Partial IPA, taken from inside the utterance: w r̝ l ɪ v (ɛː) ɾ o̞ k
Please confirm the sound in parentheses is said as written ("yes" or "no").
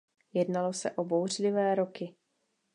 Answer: yes